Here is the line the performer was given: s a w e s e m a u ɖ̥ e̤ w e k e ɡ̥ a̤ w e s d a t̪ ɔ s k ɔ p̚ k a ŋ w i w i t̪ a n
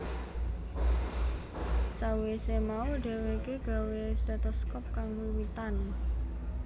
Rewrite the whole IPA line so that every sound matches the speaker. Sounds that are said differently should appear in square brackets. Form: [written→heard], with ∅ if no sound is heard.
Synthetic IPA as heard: s a w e s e m a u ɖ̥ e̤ w e k e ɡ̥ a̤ w e s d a t̪ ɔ s k ɔ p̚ k a ŋ w i w i t̪ a n